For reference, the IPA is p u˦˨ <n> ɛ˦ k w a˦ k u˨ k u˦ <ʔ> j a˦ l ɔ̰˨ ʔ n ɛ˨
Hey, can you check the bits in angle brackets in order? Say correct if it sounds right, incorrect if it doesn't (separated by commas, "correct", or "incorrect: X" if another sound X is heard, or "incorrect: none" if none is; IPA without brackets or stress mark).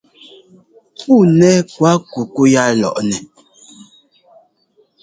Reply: correct, incorrect: none